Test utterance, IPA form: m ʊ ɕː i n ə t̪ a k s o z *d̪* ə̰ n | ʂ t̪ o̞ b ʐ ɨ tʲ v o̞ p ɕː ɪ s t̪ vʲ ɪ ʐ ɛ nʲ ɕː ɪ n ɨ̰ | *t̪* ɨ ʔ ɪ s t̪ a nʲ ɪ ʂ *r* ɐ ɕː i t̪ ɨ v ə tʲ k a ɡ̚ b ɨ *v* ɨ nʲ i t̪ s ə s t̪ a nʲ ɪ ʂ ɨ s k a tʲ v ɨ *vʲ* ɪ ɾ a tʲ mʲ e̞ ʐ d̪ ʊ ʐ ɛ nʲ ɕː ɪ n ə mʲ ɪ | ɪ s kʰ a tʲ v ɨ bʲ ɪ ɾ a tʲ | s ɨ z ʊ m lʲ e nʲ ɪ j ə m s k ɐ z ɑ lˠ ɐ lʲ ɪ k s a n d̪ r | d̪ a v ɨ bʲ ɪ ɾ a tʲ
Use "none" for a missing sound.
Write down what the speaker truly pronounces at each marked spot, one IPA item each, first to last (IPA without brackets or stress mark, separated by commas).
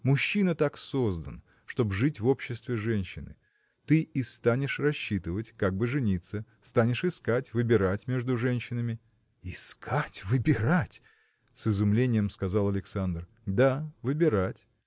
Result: d̪, t̪, r, ʐ, bʲ